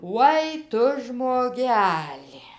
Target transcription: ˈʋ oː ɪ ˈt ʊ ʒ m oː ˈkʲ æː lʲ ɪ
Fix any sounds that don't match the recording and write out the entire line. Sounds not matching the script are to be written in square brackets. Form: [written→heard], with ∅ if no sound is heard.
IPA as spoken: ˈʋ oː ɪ ˈt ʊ ʒ m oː [ˈkʲ→ˈɡʲ] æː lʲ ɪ